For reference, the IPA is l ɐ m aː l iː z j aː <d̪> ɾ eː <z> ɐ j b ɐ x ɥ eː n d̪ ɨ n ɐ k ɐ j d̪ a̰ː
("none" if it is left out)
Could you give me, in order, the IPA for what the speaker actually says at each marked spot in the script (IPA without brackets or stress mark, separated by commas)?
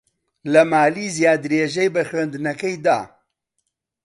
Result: d̪, ʒ